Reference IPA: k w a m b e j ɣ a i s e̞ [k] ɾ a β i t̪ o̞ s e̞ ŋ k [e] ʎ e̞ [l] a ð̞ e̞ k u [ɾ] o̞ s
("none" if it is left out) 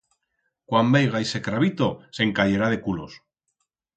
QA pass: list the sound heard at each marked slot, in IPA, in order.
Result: k, a, ɾ, l

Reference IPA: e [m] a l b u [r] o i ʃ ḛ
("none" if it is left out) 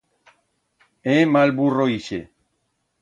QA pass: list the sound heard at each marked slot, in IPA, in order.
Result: m, r

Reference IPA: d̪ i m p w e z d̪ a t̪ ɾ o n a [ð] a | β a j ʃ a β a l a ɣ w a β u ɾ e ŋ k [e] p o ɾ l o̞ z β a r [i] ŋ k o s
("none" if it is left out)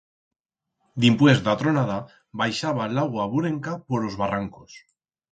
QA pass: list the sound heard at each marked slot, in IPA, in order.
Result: ð, a, a

